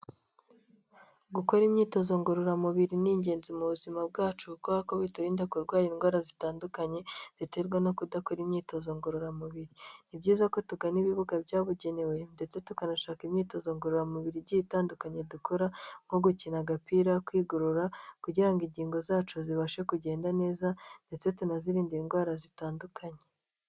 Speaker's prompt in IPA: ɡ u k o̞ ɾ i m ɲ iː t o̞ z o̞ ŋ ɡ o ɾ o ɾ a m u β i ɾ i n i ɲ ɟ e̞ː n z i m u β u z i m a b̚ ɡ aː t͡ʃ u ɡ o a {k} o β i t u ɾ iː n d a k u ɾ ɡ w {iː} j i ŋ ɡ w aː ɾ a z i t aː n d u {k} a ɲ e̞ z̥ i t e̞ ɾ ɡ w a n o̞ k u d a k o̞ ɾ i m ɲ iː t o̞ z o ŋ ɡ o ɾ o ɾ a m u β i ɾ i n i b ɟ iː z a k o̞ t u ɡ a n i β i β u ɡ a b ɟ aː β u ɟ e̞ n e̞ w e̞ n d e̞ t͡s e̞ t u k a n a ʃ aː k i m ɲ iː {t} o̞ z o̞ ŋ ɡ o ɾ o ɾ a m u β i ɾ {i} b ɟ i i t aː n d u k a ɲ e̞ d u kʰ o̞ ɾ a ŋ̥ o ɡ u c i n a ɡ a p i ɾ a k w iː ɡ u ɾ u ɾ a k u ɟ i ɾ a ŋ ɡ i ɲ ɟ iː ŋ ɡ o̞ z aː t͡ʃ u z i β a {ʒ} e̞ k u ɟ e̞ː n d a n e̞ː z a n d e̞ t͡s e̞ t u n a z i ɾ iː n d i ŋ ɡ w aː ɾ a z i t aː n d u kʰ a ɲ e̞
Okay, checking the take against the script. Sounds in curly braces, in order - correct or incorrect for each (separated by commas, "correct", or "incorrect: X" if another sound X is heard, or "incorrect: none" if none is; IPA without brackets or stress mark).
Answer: correct, incorrect: aː, correct, correct, correct, incorrect: ʃ